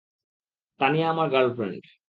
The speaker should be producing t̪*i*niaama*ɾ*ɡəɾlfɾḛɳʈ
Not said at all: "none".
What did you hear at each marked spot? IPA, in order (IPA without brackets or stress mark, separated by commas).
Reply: a, ɾ